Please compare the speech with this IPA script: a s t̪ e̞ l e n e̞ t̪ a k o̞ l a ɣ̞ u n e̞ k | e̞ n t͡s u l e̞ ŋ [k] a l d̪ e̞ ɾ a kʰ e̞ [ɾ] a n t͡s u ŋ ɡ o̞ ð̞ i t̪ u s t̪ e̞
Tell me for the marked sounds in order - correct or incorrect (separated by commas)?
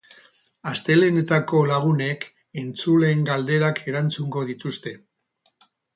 incorrect, correct